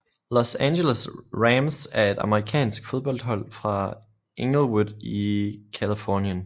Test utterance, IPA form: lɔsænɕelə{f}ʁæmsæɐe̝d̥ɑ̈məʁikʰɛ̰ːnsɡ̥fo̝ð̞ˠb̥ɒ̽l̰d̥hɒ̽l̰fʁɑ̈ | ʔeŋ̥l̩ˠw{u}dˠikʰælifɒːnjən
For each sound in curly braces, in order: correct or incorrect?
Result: incorrect: s, correct

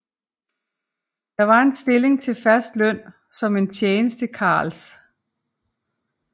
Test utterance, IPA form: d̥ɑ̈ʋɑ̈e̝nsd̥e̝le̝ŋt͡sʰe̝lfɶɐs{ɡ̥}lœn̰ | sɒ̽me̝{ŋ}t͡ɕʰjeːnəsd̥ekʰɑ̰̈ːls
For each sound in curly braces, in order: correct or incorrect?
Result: incorrect: d̥, incorrect: n

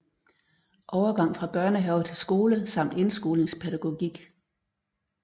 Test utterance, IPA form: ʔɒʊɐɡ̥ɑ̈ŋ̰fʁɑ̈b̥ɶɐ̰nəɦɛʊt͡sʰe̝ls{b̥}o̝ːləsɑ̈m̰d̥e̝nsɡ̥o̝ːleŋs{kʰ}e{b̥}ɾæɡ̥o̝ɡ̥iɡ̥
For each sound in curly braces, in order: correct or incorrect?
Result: incorrect: ɡ̥, incorrect: pʰ, incorrect: none

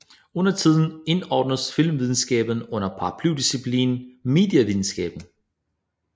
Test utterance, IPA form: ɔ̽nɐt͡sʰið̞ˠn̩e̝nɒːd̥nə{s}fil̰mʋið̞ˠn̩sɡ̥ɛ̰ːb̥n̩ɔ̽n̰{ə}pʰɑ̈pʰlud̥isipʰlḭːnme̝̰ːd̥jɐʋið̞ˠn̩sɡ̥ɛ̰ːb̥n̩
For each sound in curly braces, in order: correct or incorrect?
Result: correct, incorrect: ɐ

